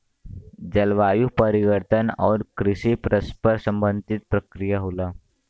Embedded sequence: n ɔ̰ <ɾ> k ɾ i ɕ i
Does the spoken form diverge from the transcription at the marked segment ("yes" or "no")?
no